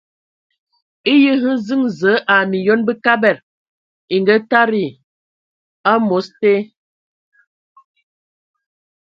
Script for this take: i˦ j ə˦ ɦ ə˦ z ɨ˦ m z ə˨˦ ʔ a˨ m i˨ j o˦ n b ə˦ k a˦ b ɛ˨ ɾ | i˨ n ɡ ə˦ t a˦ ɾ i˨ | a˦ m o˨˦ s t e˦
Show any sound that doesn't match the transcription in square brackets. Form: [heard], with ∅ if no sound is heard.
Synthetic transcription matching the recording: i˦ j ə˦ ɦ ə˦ z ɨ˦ [ŋ] z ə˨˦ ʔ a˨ m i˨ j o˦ n b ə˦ k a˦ b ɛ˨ ɾ | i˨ [ŋ] ɡ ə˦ t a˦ ɾ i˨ | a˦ m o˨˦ s t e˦